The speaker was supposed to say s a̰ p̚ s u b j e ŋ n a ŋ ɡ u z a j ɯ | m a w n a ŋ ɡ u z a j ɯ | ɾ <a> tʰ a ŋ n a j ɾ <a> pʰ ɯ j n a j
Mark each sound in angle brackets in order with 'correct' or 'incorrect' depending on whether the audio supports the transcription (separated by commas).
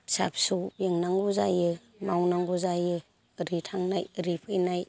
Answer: incorrect, incorrect